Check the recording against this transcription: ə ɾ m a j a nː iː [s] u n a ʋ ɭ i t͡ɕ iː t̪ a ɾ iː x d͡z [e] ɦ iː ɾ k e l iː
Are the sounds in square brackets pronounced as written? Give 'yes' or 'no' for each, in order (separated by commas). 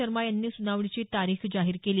yes, no